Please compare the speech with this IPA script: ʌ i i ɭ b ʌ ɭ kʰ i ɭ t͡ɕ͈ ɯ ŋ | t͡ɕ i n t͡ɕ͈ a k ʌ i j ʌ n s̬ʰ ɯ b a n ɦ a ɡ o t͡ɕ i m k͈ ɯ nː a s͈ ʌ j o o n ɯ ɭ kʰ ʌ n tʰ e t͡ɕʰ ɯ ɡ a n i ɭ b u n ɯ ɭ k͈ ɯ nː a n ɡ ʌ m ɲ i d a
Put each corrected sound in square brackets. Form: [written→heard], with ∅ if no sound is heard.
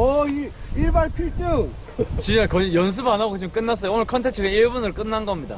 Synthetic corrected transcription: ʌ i i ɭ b [ʌ→a] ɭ [kʰ→pʰ] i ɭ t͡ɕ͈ ɯ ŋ | t͡ɕ i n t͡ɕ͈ a k ʌ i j ʌ n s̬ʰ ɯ b a n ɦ a ɡ o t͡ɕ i m k͈ ɯ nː a s͈ ʌ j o o n ɯ ɭ kʰ ʌ n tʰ e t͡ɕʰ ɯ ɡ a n i ɭ b u n ɯ ɭ k͈ ɯ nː a n ɡ ʌ m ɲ i d a